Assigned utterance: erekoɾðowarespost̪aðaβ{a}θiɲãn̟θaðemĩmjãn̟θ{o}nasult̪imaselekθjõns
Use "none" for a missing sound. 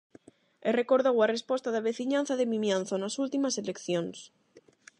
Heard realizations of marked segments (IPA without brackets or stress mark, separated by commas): e, o